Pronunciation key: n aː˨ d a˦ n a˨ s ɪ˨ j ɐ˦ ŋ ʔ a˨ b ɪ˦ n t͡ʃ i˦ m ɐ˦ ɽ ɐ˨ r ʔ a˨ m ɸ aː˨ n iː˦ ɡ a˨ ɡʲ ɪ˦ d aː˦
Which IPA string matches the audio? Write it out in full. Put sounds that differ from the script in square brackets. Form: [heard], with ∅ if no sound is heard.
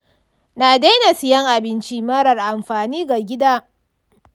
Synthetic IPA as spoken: n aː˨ d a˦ n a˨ s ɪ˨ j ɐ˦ ŋ ʔ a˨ b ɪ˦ n t͡ʃ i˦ m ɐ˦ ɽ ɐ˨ r ʔ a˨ m ɸ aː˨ n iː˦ ɡ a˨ ɡʲ ɪ˦ d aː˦